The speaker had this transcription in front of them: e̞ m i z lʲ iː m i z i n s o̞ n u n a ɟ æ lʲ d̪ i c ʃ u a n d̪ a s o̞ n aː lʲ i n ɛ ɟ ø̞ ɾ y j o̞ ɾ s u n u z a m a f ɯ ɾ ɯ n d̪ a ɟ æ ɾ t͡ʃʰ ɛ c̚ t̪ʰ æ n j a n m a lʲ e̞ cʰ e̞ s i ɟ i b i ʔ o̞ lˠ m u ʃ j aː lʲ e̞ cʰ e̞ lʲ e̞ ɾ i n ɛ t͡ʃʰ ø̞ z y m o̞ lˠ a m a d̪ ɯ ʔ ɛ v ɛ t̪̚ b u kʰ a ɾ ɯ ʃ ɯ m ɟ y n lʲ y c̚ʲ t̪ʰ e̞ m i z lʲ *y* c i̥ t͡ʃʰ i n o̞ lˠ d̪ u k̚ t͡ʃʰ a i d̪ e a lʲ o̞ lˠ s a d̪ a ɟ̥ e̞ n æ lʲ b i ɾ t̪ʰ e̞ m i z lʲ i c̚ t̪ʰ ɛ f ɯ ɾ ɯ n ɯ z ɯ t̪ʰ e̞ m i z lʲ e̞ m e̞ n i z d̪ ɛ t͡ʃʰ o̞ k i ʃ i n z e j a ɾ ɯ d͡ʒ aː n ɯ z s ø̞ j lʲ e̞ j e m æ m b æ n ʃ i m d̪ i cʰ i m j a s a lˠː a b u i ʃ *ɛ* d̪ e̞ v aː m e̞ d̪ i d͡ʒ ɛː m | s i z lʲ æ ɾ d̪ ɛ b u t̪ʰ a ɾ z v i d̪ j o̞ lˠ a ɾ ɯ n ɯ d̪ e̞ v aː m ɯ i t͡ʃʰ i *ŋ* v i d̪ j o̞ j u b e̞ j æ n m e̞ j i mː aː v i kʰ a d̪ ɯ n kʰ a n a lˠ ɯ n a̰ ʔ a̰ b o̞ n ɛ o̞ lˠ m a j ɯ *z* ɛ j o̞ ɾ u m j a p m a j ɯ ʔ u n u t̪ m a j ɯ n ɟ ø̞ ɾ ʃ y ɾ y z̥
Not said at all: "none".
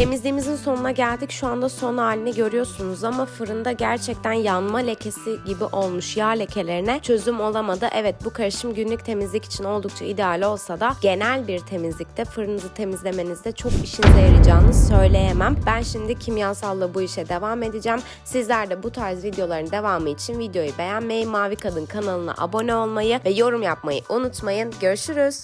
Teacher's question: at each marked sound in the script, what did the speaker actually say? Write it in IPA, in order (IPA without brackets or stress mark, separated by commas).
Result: i, ɛ, n, v